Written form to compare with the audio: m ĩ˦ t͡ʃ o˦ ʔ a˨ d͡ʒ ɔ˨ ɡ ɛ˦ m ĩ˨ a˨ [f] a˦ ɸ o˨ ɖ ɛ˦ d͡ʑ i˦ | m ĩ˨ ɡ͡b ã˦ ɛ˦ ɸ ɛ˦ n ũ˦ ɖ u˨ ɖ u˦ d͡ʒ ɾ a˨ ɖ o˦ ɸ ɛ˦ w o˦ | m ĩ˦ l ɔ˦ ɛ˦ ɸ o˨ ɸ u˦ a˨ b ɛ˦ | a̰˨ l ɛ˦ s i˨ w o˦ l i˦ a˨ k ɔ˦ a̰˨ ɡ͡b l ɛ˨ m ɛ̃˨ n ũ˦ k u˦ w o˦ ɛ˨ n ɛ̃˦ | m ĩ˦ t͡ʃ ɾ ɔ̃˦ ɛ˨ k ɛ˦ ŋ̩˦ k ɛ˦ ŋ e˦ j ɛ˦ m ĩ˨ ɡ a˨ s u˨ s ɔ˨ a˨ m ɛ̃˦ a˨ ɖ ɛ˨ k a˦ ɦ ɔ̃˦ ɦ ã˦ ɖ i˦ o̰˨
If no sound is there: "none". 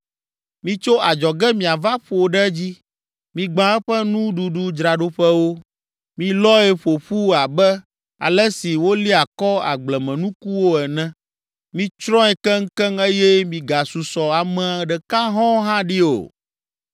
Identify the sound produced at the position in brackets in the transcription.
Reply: v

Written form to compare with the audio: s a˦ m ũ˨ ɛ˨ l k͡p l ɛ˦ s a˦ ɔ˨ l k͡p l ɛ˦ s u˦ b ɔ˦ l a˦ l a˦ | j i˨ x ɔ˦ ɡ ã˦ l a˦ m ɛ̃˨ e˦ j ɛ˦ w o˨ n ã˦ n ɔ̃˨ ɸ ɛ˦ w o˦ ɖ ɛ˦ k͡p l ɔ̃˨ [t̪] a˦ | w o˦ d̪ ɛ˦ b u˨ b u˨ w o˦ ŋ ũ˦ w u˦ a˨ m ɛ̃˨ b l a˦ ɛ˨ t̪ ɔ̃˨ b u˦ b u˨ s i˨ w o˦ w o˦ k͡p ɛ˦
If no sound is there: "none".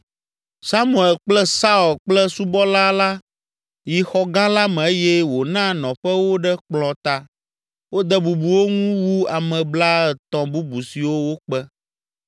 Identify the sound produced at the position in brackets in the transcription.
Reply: t̪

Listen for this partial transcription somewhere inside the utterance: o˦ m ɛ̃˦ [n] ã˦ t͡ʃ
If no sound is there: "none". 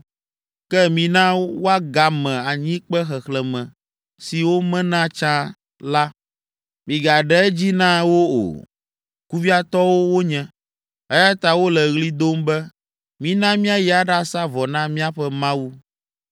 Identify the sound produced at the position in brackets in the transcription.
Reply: n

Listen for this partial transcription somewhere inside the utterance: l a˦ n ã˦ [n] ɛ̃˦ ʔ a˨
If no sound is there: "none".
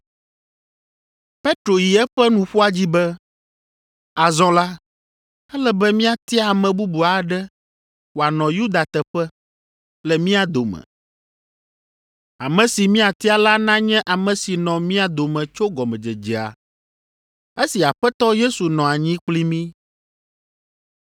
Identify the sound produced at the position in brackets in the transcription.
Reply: ɲ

